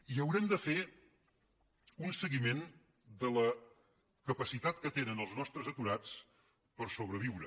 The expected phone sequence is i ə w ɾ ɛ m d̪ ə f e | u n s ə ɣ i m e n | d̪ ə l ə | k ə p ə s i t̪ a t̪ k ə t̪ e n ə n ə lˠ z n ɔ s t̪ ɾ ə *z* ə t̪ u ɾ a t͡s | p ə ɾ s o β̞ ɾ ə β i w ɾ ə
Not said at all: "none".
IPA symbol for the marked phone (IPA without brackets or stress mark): z